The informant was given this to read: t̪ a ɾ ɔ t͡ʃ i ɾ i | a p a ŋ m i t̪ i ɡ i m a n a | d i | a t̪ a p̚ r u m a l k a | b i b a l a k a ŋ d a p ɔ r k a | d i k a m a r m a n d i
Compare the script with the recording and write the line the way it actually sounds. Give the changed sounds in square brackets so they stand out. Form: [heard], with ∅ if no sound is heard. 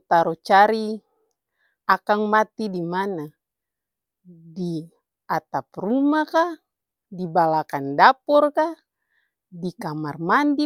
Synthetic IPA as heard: t̪ a ɾ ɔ t͡ʃ [a] ɾ i | a [k] a ŋ m [a] t̪ i [d] i m a n a | d i | a t̪ a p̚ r u m a [∅] k a | [d] i b a l a k a [n] d a p ɔ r k a | d i k a m a r m a n d i